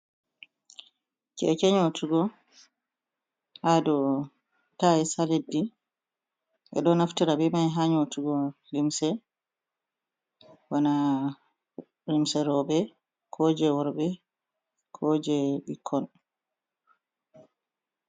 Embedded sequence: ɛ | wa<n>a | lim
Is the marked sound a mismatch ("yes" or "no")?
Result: no